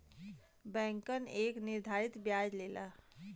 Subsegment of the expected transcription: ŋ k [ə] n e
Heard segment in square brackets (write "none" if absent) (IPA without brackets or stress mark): ə